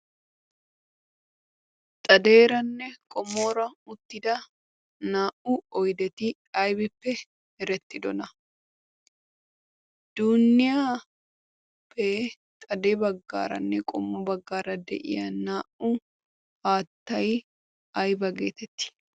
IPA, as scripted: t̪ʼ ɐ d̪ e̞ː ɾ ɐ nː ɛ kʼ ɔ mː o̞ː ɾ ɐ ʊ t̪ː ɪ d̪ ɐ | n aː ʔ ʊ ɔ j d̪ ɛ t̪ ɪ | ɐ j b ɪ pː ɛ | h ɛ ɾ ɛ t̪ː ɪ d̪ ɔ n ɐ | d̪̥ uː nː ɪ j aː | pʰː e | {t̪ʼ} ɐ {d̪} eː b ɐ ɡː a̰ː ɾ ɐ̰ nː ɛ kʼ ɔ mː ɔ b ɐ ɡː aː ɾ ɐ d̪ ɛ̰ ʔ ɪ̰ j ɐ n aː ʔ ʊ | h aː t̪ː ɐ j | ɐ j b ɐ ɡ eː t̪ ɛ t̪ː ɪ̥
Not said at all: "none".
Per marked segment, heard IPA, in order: t̪ʼ, d̪

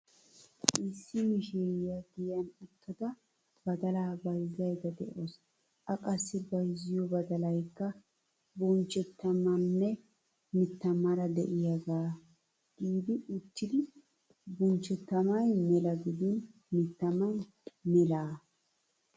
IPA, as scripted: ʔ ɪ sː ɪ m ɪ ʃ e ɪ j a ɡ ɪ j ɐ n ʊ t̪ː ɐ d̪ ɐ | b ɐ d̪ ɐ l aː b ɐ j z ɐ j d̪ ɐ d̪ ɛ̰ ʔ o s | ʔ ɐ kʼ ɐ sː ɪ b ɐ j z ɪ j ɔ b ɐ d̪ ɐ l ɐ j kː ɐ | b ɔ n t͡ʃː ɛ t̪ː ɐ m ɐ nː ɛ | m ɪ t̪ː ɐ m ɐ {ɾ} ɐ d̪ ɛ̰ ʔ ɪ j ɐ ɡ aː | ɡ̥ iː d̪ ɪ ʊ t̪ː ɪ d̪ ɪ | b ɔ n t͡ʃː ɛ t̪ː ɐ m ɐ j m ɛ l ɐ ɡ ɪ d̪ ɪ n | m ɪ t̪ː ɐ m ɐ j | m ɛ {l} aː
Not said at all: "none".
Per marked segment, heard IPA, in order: ɾ, l

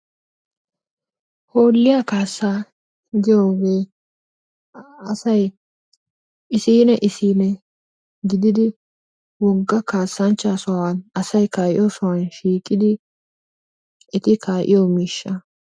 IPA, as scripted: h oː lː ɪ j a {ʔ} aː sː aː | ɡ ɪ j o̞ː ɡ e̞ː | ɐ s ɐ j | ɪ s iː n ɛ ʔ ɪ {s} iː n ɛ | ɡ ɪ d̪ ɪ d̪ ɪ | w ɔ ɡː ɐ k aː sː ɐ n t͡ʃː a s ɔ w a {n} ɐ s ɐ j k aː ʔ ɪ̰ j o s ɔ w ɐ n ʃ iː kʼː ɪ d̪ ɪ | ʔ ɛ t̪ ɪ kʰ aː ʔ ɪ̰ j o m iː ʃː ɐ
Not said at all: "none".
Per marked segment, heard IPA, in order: k, s, n

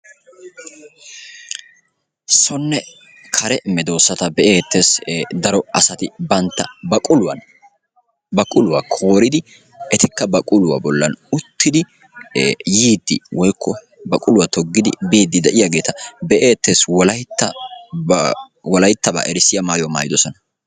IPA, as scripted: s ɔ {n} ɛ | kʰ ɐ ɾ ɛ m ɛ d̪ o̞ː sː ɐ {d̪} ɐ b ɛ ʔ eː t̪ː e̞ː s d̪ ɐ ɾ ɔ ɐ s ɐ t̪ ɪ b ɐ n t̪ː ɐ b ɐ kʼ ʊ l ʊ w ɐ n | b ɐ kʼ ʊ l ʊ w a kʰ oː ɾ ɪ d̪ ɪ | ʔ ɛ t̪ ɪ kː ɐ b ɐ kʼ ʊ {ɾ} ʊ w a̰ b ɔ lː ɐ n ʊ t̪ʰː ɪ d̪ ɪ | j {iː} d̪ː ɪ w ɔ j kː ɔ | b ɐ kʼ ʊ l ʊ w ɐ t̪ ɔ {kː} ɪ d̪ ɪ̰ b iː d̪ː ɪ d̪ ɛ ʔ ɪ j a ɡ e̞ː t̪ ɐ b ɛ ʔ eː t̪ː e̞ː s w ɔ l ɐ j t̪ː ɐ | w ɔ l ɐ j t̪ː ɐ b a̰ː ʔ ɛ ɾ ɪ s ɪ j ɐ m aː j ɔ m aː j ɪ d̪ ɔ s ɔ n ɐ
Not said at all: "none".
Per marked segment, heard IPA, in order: nː, t̪, l, iː, ɡː

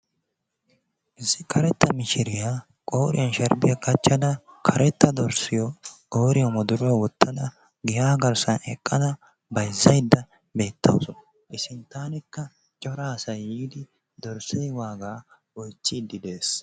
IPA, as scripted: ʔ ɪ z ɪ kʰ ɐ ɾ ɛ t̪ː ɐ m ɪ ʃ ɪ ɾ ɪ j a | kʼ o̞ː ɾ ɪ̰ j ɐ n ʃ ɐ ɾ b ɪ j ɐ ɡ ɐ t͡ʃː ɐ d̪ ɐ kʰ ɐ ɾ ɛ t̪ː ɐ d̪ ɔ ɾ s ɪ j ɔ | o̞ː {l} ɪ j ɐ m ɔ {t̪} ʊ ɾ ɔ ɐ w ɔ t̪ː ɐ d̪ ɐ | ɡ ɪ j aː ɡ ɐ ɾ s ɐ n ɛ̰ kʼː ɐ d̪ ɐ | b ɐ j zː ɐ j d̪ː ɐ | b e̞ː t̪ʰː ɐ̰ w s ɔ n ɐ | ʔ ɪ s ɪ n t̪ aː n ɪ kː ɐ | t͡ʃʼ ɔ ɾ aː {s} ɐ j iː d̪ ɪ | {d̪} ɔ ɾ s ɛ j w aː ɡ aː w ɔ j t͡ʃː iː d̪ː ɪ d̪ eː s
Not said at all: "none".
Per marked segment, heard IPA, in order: ɾ, d̪, s, d̪

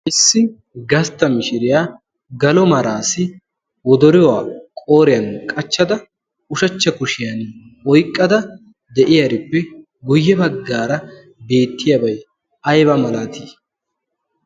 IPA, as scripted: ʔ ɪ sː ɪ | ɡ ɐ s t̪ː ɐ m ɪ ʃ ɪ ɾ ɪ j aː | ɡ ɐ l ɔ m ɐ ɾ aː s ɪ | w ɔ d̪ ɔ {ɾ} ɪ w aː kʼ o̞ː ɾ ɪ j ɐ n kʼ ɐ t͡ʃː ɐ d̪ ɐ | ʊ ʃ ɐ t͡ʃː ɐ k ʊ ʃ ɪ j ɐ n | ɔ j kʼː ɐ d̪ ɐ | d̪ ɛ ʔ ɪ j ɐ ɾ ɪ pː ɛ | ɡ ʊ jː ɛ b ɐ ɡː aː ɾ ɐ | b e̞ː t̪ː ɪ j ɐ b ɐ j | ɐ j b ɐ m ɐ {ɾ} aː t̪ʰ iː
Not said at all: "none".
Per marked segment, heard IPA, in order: ɾ, l

